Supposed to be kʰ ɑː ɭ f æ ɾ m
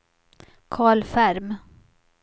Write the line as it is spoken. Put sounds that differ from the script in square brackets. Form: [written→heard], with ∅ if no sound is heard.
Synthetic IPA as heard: kʰ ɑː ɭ f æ ɾ m